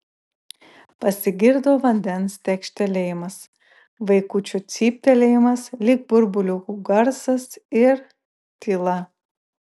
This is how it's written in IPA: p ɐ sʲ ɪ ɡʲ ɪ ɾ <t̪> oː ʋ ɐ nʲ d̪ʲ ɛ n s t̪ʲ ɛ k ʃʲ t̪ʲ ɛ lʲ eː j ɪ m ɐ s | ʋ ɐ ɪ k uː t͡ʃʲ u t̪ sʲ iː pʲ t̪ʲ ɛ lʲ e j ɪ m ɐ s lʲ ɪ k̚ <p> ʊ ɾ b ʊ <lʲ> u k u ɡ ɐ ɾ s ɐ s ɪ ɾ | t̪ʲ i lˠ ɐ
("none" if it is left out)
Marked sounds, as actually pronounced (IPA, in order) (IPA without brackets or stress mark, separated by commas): d̪, b, lʲ